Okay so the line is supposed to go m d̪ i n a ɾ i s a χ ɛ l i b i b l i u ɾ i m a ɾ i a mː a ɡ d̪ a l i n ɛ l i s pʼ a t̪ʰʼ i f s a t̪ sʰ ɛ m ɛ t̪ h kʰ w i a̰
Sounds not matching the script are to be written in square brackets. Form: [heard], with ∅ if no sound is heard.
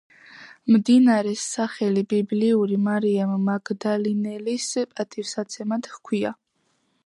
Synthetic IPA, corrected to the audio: m d̪ i n a ɾ [ɛ] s a χ ɛ l i b i b l i u ɾ i m a ɾ i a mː a ɡ d̪ a l i n ɛ l i s pʼ a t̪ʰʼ i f s a t̪ sʰ ɛ m [a] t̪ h kʰ w i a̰